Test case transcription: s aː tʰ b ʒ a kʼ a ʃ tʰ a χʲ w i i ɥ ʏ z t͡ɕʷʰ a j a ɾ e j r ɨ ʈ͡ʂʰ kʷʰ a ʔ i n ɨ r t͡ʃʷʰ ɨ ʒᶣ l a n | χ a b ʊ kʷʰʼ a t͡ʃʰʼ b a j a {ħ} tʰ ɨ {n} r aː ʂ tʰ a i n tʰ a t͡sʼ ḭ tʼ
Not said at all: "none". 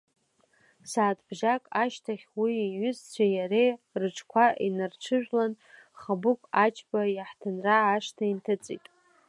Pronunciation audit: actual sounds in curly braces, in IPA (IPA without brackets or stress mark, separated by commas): ħ, n